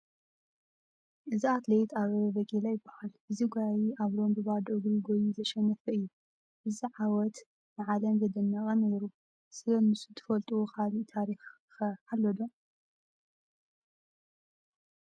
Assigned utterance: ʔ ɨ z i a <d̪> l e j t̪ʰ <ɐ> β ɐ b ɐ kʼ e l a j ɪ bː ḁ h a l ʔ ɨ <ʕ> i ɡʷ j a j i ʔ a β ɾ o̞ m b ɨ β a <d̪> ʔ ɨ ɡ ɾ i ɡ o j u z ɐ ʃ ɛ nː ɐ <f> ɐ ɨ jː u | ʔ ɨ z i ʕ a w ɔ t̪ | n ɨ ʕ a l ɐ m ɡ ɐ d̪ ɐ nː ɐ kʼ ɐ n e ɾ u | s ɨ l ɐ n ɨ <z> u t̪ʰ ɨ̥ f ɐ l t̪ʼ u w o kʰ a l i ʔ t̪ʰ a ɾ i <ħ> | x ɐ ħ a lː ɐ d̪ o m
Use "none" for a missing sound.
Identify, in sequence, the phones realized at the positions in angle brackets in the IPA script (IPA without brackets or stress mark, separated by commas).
t̪, a, z, d̪, f, s, x